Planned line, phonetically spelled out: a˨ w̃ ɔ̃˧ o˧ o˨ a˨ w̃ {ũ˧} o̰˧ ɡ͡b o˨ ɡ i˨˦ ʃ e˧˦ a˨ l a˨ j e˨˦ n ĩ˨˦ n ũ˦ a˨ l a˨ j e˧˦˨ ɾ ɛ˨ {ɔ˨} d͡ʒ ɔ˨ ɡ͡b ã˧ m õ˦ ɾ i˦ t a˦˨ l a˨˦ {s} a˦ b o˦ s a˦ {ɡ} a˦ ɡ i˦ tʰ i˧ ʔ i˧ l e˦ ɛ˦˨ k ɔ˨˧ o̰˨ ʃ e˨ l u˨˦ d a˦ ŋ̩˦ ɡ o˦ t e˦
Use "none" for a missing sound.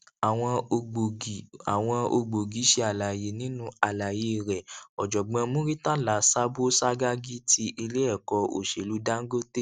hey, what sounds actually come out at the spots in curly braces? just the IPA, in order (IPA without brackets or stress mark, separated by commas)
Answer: ɔ̃˧, ɔ˨, s, ɡ